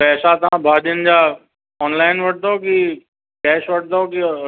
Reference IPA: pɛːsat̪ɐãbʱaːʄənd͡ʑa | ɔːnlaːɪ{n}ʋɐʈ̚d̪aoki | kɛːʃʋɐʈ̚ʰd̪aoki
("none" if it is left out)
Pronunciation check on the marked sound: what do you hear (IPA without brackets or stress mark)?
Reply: n